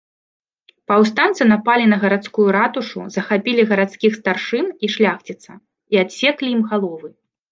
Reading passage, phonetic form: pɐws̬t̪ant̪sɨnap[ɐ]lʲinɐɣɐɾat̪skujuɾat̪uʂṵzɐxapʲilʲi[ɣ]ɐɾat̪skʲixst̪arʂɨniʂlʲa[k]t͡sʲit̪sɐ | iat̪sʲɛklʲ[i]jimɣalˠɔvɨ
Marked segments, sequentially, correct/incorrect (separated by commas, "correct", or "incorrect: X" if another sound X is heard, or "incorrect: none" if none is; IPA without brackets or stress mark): incorrect: a, correct, incorrect: x, correct